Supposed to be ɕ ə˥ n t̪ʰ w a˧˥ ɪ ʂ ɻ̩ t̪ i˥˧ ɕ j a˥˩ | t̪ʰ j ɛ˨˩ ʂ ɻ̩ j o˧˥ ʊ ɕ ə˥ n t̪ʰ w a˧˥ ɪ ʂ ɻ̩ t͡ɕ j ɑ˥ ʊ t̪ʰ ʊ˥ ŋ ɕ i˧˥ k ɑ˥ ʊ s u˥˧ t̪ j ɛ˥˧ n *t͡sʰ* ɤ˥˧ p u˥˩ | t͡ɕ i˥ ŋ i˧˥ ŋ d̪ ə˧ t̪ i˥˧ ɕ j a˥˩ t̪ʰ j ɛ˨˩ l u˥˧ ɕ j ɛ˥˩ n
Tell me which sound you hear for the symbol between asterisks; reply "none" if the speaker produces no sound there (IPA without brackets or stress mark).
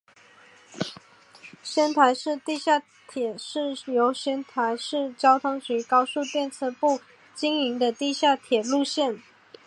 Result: t͡sʰ